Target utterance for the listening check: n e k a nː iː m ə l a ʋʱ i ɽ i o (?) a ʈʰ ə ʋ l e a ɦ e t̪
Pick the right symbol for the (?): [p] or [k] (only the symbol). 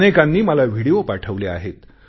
p